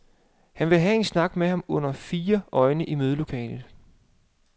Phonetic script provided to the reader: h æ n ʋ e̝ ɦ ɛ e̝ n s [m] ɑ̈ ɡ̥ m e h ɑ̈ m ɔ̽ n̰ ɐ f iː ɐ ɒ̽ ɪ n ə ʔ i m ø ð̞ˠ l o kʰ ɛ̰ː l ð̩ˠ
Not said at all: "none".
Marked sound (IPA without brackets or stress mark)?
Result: n